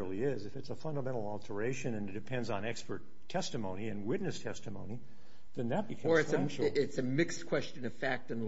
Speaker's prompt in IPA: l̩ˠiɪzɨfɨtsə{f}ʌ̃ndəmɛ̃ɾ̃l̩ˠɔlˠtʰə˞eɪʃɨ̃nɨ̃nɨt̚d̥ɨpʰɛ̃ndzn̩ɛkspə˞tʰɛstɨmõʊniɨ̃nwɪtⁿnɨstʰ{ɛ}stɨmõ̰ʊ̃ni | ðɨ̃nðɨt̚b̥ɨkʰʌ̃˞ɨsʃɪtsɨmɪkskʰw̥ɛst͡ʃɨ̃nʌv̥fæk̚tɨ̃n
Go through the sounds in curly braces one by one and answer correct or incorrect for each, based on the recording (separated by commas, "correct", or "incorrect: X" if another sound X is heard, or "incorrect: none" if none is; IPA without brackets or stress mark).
correct, correct